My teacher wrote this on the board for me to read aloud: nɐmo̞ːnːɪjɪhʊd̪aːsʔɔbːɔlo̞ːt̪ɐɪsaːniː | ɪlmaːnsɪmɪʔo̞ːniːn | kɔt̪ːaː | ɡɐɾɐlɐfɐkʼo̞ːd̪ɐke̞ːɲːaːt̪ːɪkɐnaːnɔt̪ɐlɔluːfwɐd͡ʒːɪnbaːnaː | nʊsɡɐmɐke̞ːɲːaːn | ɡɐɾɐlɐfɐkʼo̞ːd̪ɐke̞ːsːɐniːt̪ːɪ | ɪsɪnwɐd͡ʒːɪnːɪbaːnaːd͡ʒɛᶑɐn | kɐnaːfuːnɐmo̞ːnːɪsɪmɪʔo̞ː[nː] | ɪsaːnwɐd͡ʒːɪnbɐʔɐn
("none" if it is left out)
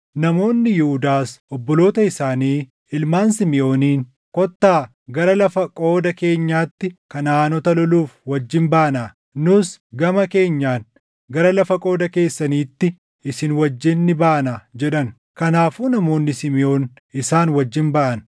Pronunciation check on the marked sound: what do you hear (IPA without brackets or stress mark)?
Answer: n